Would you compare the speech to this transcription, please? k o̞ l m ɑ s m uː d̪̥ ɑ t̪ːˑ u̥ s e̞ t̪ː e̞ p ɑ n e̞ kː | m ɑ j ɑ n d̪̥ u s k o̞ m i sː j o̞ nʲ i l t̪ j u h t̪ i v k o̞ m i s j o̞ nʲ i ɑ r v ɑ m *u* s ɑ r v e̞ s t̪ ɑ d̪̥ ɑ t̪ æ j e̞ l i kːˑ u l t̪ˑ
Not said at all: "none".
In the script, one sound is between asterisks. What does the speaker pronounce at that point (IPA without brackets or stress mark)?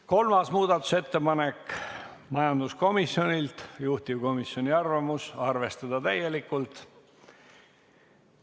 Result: u